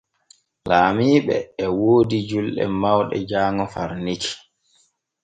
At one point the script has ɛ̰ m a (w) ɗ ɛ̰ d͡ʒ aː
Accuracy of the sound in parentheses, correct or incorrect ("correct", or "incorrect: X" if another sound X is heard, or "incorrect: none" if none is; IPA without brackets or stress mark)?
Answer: correct